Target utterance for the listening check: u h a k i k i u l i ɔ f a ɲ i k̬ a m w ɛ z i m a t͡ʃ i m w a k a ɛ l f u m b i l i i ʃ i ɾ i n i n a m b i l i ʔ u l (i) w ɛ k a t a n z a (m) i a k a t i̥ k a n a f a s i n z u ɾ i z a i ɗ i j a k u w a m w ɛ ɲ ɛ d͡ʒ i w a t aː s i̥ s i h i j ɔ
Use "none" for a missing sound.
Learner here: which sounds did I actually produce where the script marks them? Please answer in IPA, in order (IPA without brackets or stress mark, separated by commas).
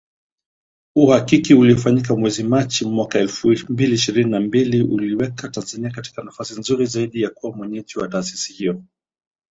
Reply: i, n